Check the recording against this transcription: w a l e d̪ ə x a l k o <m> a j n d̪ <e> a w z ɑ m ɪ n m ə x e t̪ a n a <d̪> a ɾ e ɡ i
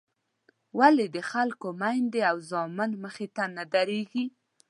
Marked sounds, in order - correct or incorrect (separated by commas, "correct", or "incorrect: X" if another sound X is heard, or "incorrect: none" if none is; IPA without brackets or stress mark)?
correct, correct, correct